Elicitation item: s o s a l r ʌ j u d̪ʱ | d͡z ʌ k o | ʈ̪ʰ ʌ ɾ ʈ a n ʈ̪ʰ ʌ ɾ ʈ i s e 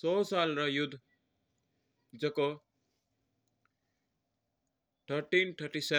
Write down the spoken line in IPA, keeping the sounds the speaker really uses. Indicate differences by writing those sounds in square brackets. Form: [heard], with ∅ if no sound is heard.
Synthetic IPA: s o s a l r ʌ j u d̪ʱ | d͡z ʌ k o | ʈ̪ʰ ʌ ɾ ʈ [i] n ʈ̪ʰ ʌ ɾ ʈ i s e